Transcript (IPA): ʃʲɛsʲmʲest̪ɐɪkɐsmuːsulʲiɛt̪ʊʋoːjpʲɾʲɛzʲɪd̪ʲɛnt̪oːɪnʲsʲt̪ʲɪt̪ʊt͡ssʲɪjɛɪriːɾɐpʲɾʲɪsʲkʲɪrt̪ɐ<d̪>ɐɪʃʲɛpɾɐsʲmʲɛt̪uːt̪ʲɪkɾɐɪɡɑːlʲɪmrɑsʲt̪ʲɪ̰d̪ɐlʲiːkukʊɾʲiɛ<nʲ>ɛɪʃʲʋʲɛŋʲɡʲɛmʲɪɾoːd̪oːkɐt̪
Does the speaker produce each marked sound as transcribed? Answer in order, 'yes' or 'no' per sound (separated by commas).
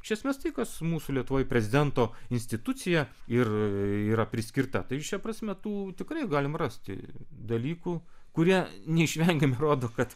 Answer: no, yes